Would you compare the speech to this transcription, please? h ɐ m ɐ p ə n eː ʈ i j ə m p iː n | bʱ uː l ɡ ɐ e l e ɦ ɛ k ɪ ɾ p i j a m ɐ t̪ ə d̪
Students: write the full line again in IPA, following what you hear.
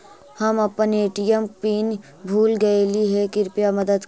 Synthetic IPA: h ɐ m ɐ p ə n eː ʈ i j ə m p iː n | bʱ uː l ɡ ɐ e l i ɦ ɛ k ɪ ɾ p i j a m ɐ d̪ ə d̪